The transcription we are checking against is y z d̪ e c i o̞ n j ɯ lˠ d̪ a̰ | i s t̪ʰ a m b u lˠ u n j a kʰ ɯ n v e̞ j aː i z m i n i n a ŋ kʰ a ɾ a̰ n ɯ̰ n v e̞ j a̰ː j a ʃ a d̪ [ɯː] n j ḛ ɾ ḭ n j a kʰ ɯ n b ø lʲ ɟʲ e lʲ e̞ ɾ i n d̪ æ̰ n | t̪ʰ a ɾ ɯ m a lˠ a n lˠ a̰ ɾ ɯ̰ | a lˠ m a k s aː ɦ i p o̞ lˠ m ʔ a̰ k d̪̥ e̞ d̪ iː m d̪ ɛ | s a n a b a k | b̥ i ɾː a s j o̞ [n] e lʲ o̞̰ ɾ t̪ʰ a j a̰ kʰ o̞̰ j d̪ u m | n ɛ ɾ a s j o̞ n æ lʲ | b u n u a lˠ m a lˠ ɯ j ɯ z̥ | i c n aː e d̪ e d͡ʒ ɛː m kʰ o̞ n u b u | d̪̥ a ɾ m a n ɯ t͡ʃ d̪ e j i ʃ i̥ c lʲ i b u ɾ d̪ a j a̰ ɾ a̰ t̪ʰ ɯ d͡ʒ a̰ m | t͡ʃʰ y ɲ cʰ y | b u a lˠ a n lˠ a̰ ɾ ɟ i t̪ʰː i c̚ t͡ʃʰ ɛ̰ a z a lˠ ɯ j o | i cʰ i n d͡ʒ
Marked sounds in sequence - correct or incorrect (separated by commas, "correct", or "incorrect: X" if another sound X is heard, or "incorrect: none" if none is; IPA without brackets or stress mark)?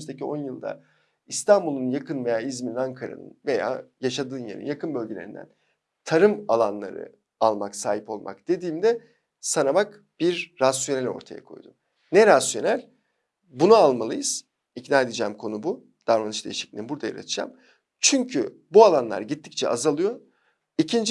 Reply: correct, correct